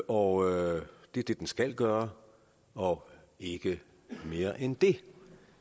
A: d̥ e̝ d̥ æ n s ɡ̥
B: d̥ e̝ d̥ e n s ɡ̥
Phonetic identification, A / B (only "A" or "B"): B